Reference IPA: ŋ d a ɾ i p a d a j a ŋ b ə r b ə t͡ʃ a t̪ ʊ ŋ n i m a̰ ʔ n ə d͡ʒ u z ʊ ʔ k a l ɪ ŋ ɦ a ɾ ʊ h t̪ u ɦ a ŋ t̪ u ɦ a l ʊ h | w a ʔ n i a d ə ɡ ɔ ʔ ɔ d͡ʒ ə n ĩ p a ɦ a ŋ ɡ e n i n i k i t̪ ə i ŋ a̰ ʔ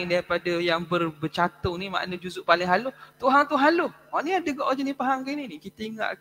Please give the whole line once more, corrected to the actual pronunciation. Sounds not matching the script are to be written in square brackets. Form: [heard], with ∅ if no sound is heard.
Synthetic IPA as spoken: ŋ d a ɾ i p a d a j a ŋ b ə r b ə t͡ʃ a t̪ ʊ ŋ n i m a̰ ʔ n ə d͡ʒ u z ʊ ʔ [p] a l ɪ ŋ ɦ a [l] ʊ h t̪ u ɦ a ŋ t̪ u ɦ a l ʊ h | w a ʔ n i a d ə ɡ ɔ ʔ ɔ d͡ʒ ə n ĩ p a ɦ a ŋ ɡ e n i n i k i t̪ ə i ŋ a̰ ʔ